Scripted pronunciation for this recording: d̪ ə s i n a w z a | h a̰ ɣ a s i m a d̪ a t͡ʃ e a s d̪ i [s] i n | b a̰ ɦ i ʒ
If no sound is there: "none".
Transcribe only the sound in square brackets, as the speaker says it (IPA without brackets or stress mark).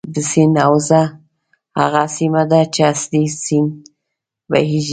s